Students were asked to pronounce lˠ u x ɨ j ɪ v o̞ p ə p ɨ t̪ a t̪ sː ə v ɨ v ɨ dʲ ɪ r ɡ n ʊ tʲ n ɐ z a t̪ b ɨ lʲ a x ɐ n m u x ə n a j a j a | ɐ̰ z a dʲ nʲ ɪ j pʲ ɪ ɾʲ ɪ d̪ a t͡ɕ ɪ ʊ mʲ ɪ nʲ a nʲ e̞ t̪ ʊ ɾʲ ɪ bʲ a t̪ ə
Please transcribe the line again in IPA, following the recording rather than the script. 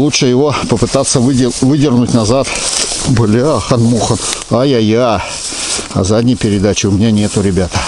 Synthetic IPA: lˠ u ʂ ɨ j ɪ v o̞ p ə p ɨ t̪ a t̪ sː ə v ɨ v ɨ dʲ ɪ r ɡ n ʊ tʲ n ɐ z a t̪ b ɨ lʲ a x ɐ n m u x ə n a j a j a | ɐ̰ z a dʲ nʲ ɪ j pʲ ɪ ɾʲ ɪ d̪ a t͡ɕ ɪ ʊ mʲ ɪ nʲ a nʲ e̞ t̪ ʊ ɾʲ ɪ bʲ a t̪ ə